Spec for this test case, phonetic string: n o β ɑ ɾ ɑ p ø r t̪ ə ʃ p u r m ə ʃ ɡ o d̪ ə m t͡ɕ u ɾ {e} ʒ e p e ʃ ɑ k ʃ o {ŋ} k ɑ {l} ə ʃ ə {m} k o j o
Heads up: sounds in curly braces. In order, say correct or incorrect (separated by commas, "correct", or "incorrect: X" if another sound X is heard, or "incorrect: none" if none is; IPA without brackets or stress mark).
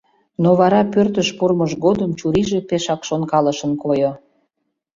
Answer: incorrect: i, incorrect: n, correct, incorrect: n